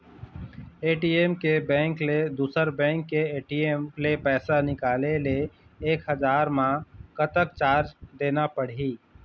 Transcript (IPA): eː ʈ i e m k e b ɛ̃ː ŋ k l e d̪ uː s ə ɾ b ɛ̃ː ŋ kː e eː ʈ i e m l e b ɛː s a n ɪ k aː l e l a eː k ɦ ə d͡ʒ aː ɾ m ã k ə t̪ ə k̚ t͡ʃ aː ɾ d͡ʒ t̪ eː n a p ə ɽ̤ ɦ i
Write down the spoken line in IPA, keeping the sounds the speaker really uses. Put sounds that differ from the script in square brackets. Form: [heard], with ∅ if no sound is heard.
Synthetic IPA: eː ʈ i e m k e b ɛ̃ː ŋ k l e d̪ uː s ə ɾ b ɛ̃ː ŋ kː e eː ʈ i e m l e [p] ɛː s a n ɪ k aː l e l [e] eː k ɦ ə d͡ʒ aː ɾ m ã k ə t̪ ə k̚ t͡ʃ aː ɾ d͡ʒ [d̪] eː n a p ə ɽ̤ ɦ i